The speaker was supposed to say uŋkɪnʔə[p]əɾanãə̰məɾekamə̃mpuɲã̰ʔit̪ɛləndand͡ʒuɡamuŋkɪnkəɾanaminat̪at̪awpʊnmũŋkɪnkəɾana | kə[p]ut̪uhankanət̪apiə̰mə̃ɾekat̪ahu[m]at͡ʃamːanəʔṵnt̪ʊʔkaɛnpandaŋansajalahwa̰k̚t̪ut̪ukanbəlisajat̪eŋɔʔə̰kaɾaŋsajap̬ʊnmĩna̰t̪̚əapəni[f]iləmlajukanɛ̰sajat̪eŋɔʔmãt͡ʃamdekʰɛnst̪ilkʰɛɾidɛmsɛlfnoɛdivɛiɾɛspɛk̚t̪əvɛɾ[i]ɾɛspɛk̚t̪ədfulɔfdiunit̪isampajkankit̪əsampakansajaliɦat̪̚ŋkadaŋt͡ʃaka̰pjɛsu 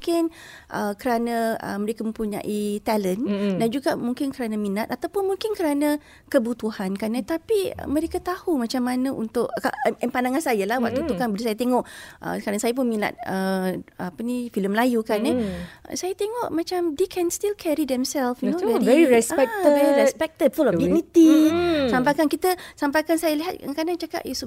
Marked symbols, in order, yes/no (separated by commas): no, no, yes, yes, yes